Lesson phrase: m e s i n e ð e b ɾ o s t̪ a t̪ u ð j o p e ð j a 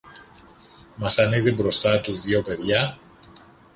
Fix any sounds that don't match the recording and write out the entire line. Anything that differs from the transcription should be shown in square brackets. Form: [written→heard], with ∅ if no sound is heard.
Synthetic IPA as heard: m [e→a] s [i→a] n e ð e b ɾ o s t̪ a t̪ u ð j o p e ð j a